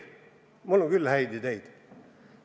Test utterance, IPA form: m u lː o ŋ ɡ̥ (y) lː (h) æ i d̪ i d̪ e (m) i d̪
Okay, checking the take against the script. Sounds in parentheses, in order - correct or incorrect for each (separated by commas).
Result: correct, correct, incorrect